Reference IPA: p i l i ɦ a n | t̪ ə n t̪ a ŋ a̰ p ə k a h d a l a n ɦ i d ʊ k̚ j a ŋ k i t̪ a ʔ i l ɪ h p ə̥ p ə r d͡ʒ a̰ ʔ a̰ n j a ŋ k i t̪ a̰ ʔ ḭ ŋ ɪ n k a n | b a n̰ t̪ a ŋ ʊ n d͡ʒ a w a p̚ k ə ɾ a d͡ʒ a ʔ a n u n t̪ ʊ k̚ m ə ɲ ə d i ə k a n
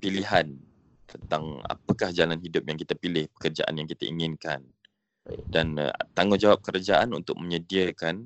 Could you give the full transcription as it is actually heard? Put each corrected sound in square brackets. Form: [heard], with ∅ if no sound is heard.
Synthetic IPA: p i l i ɦ a n | t̪ ə n t̪ a ŋ a̰ p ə k a h [d͡ʒ] a l a n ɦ i d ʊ [p̚] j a ŋ k i t̪ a [p] i l ɪ h p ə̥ [k] ə r d͡ʒ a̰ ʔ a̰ n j a ŋ k i t̪ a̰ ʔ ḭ ŋ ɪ n k a n | [d] a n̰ t̪ a ŋ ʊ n d͡ʒ a w a p̚ k ə ɾ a d͡ʒ a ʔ a n u n t̪ ʊ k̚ m ə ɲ ə d i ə k a n